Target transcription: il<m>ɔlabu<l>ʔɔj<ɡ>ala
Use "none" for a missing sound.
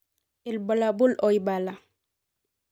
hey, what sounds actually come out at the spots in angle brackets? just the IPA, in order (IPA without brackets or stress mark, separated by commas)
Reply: b, l, b